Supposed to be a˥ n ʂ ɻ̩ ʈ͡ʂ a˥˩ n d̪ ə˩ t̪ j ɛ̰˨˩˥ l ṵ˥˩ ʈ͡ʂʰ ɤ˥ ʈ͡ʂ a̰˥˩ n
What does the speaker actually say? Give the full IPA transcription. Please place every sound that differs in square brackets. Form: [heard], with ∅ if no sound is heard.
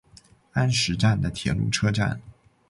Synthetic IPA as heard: a˥ n ʂ ɻ̩ ʈ͡ʂ a˥˩ n d̪ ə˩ [t̪ʰ] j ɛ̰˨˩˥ l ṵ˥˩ ʈ͡ʂʰ ɤ˥ ʈ͡ʂ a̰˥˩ n